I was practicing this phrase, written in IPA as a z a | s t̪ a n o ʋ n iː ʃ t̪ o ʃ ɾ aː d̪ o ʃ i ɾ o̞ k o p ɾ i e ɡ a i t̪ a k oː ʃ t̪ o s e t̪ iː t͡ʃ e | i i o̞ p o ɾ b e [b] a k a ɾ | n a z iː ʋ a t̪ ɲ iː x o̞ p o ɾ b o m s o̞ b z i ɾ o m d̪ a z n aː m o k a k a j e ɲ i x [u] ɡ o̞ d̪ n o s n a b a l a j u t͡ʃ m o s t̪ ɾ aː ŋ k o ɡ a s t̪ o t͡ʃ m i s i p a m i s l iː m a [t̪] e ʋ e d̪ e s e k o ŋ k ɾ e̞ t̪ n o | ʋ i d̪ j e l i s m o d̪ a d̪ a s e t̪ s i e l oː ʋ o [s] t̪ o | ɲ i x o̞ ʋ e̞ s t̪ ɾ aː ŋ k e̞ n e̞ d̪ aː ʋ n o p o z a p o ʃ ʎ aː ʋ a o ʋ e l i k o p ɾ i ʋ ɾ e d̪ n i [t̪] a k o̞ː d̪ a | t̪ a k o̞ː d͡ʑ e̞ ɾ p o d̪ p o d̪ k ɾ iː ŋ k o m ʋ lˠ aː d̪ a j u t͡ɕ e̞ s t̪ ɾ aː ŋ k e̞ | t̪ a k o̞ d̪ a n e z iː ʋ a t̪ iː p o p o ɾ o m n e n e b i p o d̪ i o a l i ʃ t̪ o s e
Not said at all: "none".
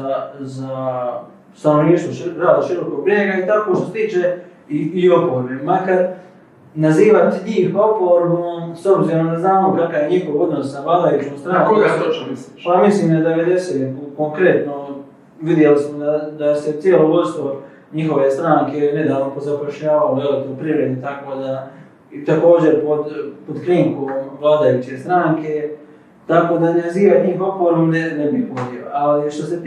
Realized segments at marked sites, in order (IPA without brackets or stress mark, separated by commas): m, o, d̪, s, t̪